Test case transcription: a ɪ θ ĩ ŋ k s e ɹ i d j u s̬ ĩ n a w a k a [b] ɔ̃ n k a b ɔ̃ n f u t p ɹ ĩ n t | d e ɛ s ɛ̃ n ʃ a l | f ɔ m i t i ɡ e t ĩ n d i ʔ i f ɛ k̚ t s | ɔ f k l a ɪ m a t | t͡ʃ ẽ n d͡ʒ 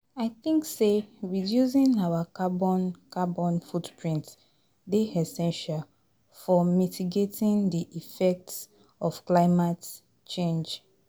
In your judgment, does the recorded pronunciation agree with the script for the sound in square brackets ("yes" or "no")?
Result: yes